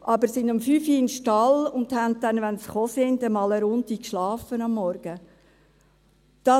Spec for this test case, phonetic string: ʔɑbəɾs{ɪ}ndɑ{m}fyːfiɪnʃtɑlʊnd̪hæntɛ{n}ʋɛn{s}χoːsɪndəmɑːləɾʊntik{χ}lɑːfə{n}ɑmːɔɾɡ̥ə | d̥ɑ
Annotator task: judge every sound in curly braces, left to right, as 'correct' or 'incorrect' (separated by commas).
correct, correct, correct, correct, incorrect, correct